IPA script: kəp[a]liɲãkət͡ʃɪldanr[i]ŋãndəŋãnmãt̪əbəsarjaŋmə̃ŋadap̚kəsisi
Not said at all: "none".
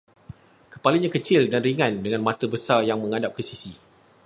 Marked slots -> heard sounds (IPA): a, i

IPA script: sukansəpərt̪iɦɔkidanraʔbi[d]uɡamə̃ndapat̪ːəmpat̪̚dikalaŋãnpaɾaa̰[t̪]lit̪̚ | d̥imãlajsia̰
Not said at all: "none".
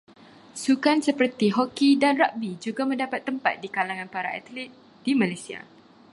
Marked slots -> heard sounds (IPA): d͡ʒ, t̪

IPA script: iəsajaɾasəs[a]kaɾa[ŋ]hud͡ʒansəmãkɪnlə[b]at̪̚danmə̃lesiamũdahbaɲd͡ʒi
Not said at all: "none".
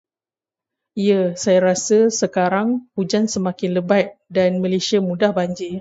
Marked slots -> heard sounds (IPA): ə, ŋ, b

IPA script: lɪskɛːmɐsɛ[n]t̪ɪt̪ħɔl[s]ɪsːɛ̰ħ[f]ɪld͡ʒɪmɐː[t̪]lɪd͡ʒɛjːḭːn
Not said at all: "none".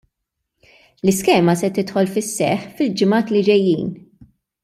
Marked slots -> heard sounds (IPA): none, f, f, t̪

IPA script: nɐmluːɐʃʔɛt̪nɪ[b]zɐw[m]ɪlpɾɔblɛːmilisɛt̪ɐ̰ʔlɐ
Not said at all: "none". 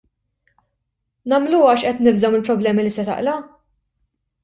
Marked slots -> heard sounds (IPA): b, m

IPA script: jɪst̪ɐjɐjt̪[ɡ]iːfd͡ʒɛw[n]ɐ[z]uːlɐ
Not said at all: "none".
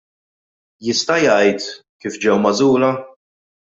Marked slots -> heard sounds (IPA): k, m, z

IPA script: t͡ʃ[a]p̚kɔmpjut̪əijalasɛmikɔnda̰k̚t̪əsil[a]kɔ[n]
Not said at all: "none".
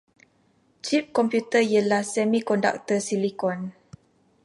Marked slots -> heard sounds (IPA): i, i, n

